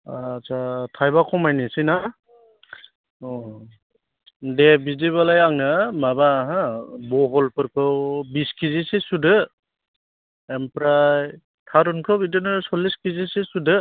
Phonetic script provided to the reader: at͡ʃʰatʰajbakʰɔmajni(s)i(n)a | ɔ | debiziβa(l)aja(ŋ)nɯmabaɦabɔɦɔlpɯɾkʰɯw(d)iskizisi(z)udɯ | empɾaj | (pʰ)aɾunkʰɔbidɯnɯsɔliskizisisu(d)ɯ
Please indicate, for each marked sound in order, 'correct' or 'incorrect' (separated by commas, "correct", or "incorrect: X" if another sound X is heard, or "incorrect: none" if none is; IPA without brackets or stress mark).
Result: correct, correct, correct, correct, incorrect: b, incorrect: s, incorrect: tʰ, correct